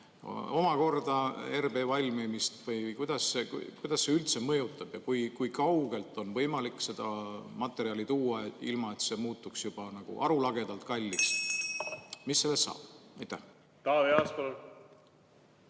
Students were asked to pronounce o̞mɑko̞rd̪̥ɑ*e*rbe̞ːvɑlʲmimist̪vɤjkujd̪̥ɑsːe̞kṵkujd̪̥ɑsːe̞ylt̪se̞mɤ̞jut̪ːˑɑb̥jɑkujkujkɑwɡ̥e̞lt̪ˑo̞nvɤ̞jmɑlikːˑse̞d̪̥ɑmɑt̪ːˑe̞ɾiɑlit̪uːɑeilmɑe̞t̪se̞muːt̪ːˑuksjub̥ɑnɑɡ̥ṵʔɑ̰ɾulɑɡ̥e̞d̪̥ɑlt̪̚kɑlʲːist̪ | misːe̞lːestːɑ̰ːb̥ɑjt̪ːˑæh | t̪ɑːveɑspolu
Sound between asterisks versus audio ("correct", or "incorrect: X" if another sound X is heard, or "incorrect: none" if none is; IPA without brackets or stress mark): correct